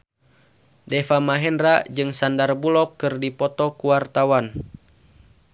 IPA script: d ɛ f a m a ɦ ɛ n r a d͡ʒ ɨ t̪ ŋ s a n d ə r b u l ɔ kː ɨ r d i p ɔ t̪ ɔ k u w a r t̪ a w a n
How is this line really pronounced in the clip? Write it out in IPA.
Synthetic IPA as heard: d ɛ f a m a ɦ ɛ n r a d͡ʒ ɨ ŋ s a n d a r b u l ɔ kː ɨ r d i p ɔ t̪ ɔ k u w a r t̪ a w a n